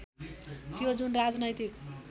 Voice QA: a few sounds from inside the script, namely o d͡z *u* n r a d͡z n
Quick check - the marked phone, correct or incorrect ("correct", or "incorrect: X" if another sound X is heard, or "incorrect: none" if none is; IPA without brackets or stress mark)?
correct